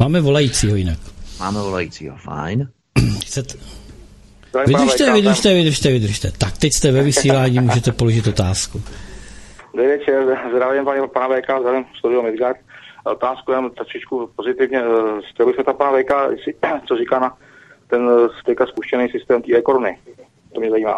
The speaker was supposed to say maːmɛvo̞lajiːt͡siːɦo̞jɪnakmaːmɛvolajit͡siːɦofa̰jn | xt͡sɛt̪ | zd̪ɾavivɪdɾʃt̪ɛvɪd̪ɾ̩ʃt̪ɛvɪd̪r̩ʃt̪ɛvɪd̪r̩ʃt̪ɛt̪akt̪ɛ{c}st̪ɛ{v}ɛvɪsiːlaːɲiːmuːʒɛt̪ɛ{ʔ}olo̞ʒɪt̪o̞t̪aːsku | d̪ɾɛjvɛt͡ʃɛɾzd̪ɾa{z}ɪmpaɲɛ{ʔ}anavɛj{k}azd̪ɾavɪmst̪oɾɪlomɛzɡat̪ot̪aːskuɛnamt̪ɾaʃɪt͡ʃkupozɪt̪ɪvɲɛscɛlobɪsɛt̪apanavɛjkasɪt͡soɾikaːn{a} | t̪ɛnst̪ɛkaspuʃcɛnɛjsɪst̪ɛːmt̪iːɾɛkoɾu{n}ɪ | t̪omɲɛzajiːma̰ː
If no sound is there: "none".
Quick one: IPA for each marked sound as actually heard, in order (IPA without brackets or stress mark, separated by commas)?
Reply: c, v, p, v, p, k, a, n